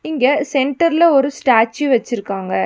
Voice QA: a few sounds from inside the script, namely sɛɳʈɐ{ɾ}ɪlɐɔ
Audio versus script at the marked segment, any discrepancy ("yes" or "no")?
no